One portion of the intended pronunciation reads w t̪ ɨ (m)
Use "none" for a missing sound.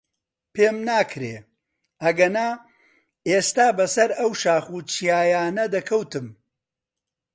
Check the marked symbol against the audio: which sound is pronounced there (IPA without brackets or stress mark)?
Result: m